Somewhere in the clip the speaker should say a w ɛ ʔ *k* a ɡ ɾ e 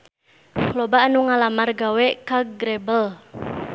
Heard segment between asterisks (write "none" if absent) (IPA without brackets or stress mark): k